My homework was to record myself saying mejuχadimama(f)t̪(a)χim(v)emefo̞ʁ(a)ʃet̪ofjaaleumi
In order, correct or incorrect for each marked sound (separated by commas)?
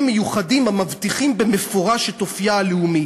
incorrect, incorrect, incorrect, correct